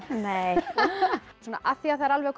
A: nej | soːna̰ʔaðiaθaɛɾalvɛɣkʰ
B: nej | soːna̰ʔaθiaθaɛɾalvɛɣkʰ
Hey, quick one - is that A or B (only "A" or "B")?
B